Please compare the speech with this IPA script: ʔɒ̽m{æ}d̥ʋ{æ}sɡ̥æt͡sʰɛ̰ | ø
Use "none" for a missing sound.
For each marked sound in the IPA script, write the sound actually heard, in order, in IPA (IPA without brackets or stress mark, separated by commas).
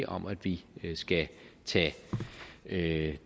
æ, i